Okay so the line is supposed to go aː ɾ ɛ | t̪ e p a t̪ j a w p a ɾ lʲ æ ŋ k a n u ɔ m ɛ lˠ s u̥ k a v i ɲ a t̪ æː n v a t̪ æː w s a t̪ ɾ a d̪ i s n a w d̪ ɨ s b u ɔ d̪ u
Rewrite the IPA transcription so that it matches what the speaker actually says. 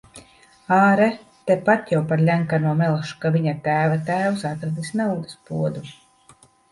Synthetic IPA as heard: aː ɾ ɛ | t̪ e p a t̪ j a w p a ɾ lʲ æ ŋ k a n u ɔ m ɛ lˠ ʃ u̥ k a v i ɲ a t̪ æː v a t̪ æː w s a t̪ ɾ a d̪ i s n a w d̪ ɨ s p u ɔ d̪ u